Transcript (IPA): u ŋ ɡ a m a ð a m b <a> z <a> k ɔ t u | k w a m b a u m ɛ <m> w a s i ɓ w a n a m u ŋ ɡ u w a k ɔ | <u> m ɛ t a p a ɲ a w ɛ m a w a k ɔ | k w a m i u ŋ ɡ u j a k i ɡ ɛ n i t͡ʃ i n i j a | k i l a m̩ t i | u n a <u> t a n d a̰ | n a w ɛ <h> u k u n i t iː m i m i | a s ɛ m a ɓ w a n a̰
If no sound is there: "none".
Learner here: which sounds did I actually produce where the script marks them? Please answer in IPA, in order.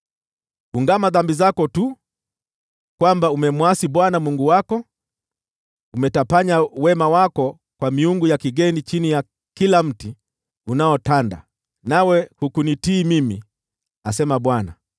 i, a, m, u, ɔ, h

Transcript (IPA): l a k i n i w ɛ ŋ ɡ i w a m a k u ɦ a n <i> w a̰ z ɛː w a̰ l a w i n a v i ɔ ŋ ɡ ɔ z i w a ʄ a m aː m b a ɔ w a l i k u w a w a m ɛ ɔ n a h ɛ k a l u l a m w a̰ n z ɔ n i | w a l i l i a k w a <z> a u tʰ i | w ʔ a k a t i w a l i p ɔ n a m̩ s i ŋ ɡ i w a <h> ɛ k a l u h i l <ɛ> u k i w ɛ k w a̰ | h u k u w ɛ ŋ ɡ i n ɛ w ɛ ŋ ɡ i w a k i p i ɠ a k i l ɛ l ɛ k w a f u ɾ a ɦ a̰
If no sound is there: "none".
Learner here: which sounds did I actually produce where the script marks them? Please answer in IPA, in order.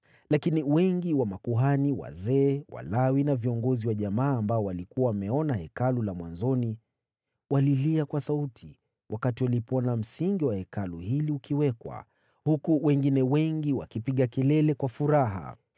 i, s, h, i

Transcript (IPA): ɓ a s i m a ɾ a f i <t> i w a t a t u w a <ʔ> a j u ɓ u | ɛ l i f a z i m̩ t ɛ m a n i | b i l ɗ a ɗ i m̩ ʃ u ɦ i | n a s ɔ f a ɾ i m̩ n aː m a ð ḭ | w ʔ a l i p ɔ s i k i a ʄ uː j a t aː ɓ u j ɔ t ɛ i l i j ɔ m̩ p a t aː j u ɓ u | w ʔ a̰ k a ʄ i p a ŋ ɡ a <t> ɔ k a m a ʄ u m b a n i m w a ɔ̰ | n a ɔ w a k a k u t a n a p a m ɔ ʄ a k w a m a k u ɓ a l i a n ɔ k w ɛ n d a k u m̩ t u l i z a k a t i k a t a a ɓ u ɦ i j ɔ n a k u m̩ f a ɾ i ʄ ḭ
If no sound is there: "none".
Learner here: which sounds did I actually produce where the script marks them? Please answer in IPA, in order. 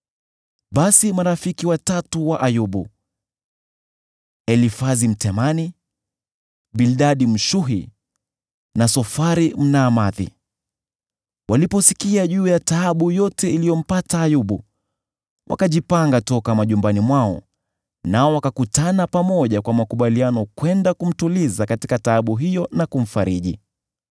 k, ʔ, t

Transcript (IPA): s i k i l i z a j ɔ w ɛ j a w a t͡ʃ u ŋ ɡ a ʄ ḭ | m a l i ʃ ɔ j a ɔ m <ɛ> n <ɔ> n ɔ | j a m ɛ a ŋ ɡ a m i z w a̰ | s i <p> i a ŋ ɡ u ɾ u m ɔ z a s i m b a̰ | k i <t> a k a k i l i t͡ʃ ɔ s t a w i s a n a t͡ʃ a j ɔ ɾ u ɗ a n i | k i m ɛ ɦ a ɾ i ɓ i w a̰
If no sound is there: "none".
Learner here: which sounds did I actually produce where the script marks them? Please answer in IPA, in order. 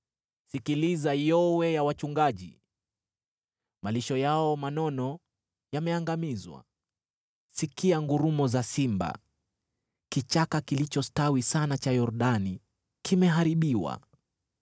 a, ɔ, k, t͡ʃ

